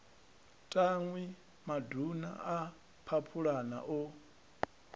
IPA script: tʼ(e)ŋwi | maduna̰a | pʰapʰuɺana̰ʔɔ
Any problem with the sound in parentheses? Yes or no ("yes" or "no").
yes